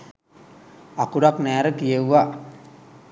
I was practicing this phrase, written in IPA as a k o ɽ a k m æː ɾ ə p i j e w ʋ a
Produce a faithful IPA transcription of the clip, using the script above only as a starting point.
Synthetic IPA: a k u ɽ a k n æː ɾ ə k i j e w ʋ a